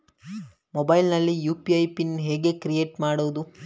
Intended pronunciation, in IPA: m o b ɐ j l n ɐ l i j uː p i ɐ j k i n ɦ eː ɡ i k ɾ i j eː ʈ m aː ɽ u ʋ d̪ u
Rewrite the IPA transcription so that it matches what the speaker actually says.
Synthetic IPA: m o b ɐ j l n ɐ lː i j uː p i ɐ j p i n ɦ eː ɡ e k ɾ i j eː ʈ m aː ɽ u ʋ d̪ u